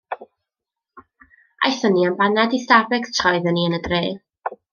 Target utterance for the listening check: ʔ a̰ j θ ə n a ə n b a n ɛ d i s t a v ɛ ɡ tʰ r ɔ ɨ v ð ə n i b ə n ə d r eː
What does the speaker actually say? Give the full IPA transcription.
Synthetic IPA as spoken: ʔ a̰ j θ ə n i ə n b a n ɛ d i s t a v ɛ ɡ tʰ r ɔ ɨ ð ə n i ə n ə d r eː